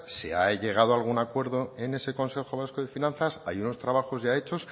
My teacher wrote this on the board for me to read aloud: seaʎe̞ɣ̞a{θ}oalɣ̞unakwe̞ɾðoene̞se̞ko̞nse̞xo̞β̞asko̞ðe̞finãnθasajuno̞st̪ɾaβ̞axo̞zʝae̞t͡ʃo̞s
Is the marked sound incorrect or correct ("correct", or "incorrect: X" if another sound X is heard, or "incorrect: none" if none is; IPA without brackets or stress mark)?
incorrect: ð